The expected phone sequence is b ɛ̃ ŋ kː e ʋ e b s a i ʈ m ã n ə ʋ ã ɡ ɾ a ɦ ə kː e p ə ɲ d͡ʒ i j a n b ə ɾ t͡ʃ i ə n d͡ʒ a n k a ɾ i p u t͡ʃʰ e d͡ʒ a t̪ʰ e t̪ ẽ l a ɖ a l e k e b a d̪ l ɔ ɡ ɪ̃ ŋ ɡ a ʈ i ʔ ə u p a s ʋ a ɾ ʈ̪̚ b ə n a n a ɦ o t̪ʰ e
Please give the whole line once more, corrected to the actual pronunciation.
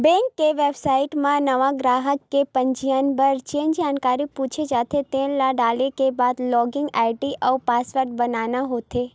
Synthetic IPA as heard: b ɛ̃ ŋ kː e ʋ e b s a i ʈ m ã n ə ʋ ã ɡ ɾ a ɦ ə kː e p ə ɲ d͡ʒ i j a n b ə ɾ t͡ʃ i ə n d͡ʒ a n k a ɾ i p u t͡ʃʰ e d͡ʒ a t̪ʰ e t̪ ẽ l a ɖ a l e k e b a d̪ l ɔ ɡ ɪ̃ ŋ ɡ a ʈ i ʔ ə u p a s ʋ ə ɾ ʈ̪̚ b ə n a n a ɦ o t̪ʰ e